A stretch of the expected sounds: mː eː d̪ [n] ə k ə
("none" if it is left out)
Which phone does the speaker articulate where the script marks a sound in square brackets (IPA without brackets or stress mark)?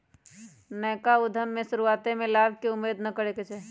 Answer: n